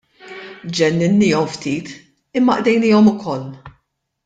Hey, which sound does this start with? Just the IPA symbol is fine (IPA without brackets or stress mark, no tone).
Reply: d͡ʒ